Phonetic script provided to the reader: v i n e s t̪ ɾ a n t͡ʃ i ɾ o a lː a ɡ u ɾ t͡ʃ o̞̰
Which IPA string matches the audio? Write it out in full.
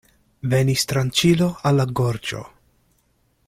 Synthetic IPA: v e n i s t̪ ɾ a n t͡ʃ i l o a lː a ɡ o ɾ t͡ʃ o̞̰

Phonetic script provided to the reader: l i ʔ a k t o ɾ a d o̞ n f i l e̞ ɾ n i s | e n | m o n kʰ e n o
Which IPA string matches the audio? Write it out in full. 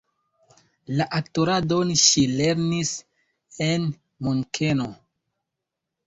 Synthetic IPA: l a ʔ a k t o ɾ a d o̞ n ʃ i l e̞ ɾ n i s | e n | m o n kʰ e n o

